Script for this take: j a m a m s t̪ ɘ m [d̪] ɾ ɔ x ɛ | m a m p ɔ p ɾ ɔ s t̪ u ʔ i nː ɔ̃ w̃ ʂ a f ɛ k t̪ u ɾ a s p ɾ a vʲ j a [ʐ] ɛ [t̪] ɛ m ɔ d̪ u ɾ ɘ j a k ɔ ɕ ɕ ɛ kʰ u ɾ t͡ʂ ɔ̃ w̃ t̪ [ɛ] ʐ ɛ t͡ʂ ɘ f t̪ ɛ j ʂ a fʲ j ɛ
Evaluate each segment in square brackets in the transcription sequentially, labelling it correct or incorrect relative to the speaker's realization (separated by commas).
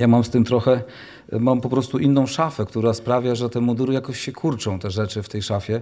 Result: incorrect, correct, correct, correct